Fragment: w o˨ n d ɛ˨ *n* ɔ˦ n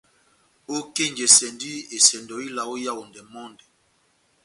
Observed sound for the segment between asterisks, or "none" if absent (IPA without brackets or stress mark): m